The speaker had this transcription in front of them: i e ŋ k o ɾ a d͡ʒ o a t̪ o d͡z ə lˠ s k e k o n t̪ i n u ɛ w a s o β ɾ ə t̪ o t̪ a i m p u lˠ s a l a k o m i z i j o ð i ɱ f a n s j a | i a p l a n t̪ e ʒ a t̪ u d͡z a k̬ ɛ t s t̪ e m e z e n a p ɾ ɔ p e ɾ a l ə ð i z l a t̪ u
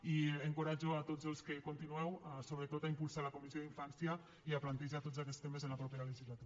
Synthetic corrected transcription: i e ŋ k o ɾ a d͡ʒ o a t̪ o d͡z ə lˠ s k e k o n t̪ i n u ɛ w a s o β ɾ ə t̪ o t̪ a i m p u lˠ s a l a k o m i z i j o ð i ɱ f a n s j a | i a p l a n t̪ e ʒ a t̪ o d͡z a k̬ ɛ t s t̪ e m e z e n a p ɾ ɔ p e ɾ a l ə ʒ i z l a t̪ u